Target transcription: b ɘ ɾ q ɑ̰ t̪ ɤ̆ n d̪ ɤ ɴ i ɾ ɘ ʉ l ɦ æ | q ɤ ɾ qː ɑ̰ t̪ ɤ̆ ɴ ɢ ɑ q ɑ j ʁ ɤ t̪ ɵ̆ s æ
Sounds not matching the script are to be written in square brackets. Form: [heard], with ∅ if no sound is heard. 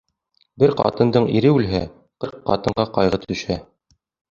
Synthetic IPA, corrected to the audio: b ɘ ɾ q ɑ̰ t̪ ɤ̆ n d̪ ɤ ɴ i ɾ ɘ ʉ l ɦ æ | q ɤ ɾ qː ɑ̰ t̪ ɤ̆ ɴ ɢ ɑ q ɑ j ʁ ɤ t̪ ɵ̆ [ʃ] æ